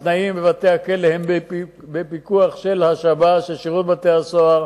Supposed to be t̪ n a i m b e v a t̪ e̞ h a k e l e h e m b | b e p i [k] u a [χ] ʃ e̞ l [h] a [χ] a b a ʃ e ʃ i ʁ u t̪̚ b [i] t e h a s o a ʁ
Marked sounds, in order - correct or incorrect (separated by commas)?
correct, correct, correct, incorrect, incorrect